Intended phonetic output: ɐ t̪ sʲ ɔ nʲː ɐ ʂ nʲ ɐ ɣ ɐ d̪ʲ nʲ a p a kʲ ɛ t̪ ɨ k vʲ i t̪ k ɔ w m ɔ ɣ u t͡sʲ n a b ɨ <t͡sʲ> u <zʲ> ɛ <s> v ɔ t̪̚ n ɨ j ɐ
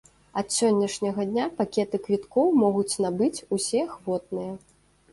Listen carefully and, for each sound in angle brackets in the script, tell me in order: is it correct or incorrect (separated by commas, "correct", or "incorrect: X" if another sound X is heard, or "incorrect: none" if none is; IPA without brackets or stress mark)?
correct, incorrect: sʲ, incorrect: x